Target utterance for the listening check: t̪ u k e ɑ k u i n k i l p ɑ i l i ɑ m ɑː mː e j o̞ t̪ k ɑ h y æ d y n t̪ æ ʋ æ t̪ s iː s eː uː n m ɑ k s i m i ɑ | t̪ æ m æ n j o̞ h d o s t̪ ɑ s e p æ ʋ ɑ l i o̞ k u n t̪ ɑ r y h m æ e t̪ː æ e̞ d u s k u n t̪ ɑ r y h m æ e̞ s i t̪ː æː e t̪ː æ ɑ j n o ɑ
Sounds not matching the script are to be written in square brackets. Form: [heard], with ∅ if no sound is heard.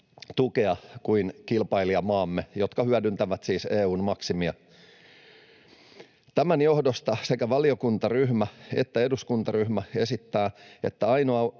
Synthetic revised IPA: t̪ u k e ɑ k u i n k i l p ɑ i l i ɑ m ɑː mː e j o̞ t̪ k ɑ h y æ d y n t̪ æ ʋ æ t̪ s iː s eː uː n m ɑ k s i m i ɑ | t̪ æ m æ n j o̞ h d o s t̪ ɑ s e [k] æ ʋ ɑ l i o̞ k u n t̪ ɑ r y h m æ e t̪ː æ e̞ d u s k u n t̪ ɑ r y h m æ e̞ s i t̪ː æː e t̪ː æ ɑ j n o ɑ